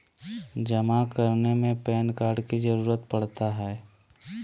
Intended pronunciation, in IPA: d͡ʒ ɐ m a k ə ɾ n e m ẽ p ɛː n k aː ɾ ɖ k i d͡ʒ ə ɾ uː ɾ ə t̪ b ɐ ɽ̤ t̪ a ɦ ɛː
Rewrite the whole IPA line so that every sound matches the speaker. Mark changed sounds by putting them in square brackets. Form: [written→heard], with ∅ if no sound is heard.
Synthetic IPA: d͡ʒ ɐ m a k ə ɾ n e m ẽ p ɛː n k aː ɾ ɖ k i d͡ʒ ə ɾ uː ɾ ə t̪ [b→p] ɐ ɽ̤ t̪ a ɦ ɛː